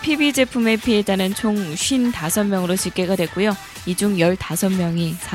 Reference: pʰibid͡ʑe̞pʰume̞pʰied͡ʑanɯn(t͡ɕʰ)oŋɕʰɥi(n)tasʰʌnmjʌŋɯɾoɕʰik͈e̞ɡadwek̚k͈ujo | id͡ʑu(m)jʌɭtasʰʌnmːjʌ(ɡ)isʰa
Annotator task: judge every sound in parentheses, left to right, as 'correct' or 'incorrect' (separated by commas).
correct, correct, incorrect, incorrect